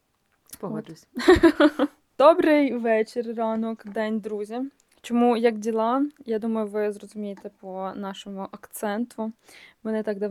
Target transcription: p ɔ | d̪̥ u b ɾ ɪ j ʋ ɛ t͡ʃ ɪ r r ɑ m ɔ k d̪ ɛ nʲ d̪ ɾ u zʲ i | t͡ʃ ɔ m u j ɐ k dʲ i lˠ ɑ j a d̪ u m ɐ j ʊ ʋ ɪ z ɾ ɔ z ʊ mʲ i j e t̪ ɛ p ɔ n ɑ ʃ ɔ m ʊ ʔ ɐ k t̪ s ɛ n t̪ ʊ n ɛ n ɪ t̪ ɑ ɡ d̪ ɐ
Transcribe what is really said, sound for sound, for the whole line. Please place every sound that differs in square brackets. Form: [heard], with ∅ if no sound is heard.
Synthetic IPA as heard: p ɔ | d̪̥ [ɔ] b ɾ ɪ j ʋ ɛ t͡ʃ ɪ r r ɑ [n] ɔ k d̪ ɛ nʲ d̪ ɾ u zʲ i | t͡ʃ ɔ m u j ɐ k dʲ i lˠ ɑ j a d̪ u m ɐ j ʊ ʋ ɪ z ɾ ɔ z ʊ mʲ i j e t̪ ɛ p ɔ n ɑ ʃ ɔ m ʊ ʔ ɐ k t̪ s ɛ n t̪ ʊ [m] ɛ n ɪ t̪ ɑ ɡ d̪ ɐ